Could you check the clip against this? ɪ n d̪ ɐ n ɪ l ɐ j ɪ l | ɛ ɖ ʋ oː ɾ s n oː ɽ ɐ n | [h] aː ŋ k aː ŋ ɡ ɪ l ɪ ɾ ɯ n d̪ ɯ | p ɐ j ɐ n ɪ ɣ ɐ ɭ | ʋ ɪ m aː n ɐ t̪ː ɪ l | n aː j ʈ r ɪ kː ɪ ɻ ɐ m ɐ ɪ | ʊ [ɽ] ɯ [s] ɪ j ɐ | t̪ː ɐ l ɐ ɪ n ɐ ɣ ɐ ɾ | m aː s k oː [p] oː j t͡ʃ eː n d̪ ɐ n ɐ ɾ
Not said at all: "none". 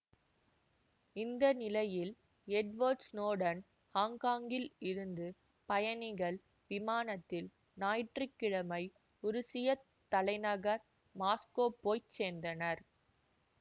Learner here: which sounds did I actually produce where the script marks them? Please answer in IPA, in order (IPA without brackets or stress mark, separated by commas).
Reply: h, ɾ, s, p